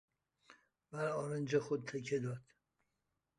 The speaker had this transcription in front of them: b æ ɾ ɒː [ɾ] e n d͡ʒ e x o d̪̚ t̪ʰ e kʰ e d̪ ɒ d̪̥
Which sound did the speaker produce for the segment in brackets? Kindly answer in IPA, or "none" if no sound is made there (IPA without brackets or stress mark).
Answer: ɾ